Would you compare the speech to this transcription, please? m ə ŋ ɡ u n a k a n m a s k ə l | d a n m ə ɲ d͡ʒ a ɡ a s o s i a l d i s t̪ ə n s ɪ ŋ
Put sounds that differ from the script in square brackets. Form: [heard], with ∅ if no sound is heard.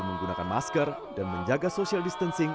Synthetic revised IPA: m ə ŋ ɡ u n a k a n m a s k ə [r] | d a n m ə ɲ d͡ʒ a ɡ a s o s i a l d i s t̪ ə n s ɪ ŋ